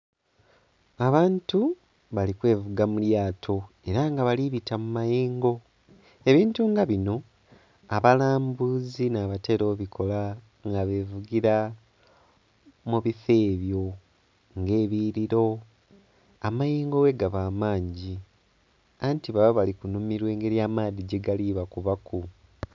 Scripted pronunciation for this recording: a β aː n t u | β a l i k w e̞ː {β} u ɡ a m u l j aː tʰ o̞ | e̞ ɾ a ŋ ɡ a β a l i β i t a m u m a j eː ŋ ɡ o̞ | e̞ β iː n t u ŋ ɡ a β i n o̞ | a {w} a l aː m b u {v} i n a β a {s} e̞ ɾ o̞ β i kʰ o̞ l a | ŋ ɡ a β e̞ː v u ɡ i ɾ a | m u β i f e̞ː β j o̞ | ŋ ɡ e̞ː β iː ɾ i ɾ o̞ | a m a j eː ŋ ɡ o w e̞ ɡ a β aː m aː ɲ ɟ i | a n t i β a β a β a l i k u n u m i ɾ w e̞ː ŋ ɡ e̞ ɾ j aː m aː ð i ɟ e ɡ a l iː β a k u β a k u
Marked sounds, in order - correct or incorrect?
incorrect, incorrect, incorrect, incorrect

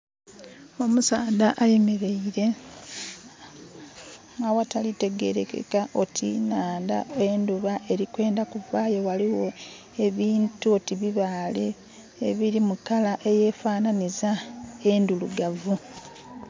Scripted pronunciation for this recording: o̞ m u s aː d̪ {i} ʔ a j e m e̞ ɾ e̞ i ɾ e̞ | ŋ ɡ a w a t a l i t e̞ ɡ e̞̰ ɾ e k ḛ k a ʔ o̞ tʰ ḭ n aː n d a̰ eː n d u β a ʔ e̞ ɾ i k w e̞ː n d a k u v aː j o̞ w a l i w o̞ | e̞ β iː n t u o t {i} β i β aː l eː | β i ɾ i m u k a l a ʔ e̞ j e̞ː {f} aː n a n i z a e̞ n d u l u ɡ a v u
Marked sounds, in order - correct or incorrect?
incorrect, correct, correct

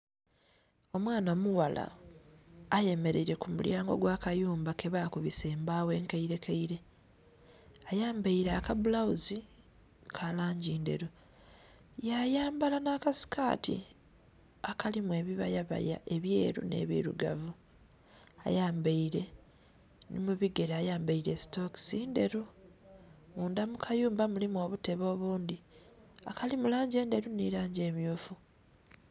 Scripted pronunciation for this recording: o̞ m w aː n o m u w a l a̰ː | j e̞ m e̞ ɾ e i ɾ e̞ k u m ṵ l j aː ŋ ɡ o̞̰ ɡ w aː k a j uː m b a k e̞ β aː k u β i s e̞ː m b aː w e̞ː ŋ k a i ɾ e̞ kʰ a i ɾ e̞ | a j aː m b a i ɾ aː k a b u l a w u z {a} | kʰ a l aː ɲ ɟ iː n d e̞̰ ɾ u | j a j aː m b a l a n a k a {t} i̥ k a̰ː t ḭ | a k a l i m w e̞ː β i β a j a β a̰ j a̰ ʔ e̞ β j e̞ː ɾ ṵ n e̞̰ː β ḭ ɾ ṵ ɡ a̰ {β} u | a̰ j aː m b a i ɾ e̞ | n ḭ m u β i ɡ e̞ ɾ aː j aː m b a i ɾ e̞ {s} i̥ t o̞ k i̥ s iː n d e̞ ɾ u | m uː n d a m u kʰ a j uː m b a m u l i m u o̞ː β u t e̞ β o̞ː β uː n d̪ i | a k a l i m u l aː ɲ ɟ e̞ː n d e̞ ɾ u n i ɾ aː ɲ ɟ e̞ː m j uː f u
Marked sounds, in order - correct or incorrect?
incorrect, incorrect, incorrect, correct

